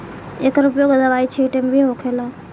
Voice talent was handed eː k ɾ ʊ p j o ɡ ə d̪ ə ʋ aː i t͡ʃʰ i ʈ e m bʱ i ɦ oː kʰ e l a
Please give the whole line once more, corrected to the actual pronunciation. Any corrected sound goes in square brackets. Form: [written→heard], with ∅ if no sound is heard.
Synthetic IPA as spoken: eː k ɾ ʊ p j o ɡ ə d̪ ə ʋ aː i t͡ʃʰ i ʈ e m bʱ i ɦ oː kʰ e l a